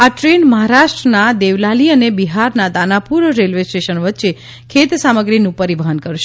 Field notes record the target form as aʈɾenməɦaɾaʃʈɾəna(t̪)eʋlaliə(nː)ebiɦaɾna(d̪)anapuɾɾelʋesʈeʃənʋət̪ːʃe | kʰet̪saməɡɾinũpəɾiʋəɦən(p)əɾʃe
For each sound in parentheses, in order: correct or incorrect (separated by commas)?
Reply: incorrect, incorrect, correct, incorrect